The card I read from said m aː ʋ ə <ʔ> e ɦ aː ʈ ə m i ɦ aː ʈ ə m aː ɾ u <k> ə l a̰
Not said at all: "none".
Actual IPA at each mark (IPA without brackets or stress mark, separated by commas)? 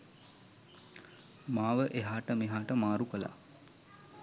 ʔ, k